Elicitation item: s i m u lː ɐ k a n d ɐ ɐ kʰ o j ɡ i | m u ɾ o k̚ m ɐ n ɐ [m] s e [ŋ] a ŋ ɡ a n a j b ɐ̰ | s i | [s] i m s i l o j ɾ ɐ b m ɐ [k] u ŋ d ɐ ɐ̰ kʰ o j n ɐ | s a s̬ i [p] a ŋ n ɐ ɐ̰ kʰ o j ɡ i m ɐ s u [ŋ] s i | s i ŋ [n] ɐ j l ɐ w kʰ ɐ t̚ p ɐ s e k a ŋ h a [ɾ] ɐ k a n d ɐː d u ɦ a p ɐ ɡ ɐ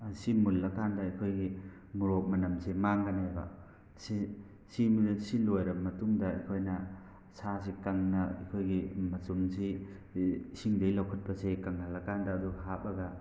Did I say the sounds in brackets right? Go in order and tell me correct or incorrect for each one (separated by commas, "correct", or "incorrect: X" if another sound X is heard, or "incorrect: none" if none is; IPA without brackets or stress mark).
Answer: correct, incorrect: m, correct, incorrect: t, incorrect: k, incorrect: m, incorrect: d, incorrect: l